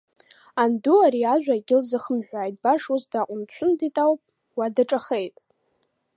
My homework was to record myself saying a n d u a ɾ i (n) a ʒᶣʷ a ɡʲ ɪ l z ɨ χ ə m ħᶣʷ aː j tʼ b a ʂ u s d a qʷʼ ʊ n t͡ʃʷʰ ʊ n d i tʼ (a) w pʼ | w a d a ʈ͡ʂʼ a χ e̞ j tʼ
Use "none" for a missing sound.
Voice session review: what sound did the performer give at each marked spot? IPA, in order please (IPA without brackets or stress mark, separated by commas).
none, a